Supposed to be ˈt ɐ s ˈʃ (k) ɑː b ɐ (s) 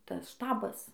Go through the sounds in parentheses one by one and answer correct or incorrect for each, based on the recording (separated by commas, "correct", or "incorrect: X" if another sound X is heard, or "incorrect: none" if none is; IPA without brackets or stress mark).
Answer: incorrect: t, correct